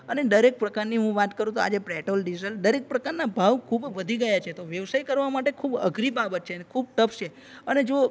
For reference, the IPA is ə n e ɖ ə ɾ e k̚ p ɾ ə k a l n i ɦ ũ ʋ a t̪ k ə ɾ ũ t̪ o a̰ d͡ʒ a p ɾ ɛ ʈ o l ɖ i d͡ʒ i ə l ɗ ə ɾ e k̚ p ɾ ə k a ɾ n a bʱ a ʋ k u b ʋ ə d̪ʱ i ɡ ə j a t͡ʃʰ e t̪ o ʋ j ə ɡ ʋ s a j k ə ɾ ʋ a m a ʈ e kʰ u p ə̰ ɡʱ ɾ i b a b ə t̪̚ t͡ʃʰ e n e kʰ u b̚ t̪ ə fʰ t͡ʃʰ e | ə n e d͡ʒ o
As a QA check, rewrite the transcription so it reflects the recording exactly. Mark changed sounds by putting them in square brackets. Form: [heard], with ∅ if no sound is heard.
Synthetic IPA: ə n e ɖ ə ɾ e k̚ p ɾ ə k a [ɾ] n i ɦ ũ ʋ a t̪ k ə ɾ ũ t̪ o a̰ d͡ʒ [e] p ɾ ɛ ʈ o l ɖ i d͡ʒ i ə l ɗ ə ɾ e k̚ p ɾ ə k a ɾ n a bʱ a ʋ [kʰ] u b ʋ ə d̪ʱ i ɡ ə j a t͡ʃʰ e t̪ o ʋ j ə [∅] ʋ s a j k ə ɾ ʋ a m a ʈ e kʰ u [b] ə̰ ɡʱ ɾ i b a b ə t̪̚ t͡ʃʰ e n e kʰ u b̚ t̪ ə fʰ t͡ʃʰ e | ə n e d͡ʒ o